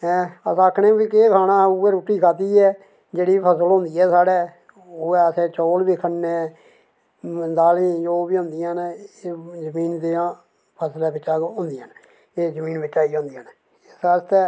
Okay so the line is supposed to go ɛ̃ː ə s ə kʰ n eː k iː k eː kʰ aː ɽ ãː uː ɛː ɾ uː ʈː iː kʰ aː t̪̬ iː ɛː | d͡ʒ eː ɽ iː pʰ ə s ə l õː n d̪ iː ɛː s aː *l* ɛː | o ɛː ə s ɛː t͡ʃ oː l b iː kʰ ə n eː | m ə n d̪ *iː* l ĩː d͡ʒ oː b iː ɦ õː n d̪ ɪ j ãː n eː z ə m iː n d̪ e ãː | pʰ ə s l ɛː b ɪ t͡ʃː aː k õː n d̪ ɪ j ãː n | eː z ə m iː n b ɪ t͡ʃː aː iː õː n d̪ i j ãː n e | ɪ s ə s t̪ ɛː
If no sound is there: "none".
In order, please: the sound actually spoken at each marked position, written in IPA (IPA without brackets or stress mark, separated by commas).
ɽ, aː